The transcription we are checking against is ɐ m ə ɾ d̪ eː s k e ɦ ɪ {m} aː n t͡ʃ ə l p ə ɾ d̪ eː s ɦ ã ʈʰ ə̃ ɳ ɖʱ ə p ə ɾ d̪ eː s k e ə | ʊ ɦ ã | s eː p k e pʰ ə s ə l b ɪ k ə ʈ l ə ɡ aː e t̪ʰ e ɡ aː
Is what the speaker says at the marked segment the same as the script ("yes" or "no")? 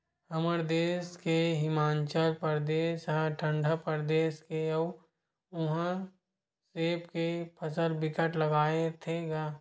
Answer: yes